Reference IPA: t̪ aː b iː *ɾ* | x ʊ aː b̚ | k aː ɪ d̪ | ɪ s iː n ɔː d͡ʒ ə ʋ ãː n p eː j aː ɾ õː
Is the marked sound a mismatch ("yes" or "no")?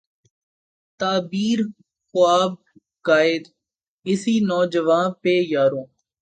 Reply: no